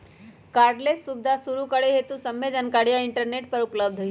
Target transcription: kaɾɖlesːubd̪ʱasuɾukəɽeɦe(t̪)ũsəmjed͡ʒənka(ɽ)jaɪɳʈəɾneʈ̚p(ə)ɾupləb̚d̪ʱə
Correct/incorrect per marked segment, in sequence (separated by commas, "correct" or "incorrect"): correct, correct, correct